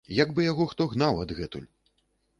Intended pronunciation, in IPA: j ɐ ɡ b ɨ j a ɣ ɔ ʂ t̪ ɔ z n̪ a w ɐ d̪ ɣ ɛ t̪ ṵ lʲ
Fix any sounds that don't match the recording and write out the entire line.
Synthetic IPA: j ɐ ɡ b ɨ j a ɣ ɔ x t̪ ɔ ɣ n̪ a w ɐ d̪ ɣ ɛ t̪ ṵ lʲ

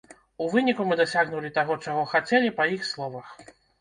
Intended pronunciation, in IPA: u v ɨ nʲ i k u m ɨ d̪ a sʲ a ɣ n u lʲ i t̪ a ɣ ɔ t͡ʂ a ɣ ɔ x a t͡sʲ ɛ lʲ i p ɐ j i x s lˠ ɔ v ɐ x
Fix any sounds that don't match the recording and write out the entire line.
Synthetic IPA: u v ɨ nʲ i k u m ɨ d̪ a sʲ a ɣ n u lʲ i t̪ a ɣ ɔ t͡ʂ a ɣ ɔ x a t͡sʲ ɛ lʲ i p ɐ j i x s lˠ ɔ v ɐ x

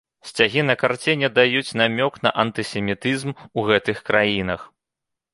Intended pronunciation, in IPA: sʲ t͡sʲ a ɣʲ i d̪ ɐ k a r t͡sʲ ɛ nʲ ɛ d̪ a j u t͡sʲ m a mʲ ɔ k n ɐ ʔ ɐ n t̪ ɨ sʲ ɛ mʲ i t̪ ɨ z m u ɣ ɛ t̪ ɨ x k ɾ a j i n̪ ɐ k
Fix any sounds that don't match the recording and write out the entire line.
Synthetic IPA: sʲ t͡sʲ a ɣʲ i n̪ ɐ k a r t͡sʲ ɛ nʲ ɛ d̪ a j u t͡sʲ n a mʲ ɔ k n ɐ ʔ ɐ n t̪ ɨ sʲ ɛ mʲ i t̪ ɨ z m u ɣ ɛ t̪ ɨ x k ɾ a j i n̪ ɐ x

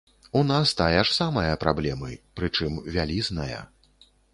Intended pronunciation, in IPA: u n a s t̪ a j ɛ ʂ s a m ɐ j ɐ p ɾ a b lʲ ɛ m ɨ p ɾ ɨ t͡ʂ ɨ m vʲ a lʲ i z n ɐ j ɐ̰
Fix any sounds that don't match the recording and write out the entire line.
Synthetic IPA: u n a s t̪ a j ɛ ʂ s a m ɐ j ɐ p ɾ a b lʲ ɛ m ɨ p ɾ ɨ t͡ʂ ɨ m vʲ a lʲ i z n ɐ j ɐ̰

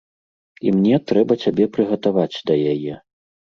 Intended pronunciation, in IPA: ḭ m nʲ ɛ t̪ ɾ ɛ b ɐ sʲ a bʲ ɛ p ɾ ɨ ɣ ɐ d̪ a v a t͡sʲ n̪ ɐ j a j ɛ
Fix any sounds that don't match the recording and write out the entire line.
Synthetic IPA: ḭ m nʲ ɛ t̪ ɾ ɛ b ɐ t͡sʲ a bʲ ɛ p ɾ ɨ ɣ ɐ t̪ a v a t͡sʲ d̪ ɐ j a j ɛ

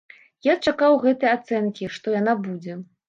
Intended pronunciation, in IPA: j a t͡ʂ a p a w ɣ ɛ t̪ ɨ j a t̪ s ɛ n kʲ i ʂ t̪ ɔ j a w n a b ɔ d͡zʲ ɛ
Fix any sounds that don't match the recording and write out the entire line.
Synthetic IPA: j a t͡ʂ a k a w ɣ ɛ t̪ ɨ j a t̪ s ɛ n kʲ i ʂ t̪ ɔ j a n a b u d͡zʲ ɛ

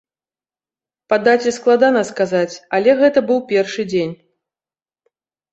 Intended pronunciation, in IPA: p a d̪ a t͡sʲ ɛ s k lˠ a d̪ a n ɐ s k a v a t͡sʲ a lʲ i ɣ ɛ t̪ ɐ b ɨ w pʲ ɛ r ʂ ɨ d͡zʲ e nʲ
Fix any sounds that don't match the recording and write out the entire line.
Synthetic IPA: p a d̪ a t͡sʲ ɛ s k lˠ a d̪ a n ɐ s k a z a t͡sʲ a lʲ ɛ ɣ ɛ t̪ ɐ b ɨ w pʲ ɛ r ʂ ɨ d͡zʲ e nʲ

